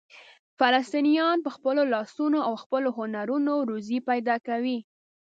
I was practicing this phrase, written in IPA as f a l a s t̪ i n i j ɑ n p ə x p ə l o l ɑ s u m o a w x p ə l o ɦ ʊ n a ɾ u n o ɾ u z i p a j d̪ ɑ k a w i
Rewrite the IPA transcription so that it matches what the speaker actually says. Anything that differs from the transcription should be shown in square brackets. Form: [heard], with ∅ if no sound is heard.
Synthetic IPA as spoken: f a l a s t̪ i n i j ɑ n p ə x p ə l o l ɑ s u [n] o a w x p ə l o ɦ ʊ n a ɾ u n o ɾ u z i p a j d̪ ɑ k a w i